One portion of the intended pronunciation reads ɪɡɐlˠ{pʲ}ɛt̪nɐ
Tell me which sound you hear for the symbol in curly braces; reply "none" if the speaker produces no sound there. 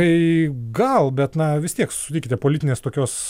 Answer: bʲ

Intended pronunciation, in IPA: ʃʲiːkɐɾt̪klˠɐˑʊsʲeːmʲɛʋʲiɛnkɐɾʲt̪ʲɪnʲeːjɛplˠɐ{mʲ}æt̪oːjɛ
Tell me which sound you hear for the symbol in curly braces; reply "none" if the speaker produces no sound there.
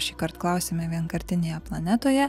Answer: nʲ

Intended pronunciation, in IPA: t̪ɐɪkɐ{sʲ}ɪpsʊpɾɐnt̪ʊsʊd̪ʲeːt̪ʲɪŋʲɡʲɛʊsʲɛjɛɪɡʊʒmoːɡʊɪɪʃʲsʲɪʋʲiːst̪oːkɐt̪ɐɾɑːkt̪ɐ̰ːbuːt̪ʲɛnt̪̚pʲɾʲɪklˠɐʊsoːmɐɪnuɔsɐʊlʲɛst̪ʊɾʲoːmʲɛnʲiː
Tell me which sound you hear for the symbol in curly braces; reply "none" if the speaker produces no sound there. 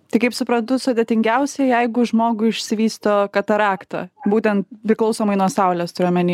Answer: none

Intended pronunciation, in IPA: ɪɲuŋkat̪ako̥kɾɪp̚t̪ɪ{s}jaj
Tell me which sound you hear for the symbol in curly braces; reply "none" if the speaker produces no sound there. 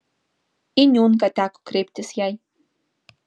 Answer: s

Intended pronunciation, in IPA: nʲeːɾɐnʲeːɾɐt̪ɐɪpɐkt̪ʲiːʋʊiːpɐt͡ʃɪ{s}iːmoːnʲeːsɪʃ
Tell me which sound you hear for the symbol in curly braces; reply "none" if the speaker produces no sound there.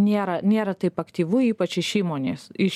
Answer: ʃ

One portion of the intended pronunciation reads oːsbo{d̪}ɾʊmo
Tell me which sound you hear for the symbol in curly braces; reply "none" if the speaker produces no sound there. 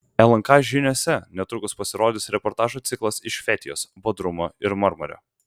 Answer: d̪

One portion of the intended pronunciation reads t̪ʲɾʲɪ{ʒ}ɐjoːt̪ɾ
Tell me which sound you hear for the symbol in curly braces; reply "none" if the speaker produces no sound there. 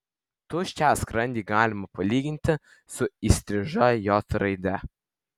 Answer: ʒ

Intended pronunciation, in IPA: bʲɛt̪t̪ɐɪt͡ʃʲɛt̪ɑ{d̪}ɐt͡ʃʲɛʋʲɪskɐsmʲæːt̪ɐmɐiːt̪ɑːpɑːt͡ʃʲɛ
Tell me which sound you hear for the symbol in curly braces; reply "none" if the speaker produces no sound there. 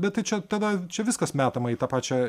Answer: d̪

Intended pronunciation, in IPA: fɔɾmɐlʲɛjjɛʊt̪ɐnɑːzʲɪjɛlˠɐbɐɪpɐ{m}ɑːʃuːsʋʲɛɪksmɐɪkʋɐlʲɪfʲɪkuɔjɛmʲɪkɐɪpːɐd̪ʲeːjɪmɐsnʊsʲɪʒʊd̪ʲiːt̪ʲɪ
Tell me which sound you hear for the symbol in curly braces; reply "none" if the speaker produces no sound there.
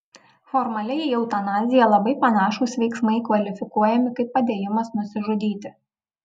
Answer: n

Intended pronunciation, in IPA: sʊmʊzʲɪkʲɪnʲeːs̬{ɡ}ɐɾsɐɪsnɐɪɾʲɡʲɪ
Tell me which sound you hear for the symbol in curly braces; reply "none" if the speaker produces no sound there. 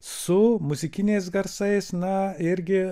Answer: ɡ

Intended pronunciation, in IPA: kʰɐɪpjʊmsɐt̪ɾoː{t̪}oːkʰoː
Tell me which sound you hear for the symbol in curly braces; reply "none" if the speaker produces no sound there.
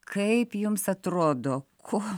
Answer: d̪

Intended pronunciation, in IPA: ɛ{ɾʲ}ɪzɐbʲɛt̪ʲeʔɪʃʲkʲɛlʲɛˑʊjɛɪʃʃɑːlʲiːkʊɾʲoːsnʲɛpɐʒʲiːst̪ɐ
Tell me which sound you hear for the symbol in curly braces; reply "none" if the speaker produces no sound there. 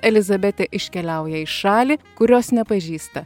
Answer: lʲ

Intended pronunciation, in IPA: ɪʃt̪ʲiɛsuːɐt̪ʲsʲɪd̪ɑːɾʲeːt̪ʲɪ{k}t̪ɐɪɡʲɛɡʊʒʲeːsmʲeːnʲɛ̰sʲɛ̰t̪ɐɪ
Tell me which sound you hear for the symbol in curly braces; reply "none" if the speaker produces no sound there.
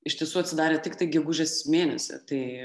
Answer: k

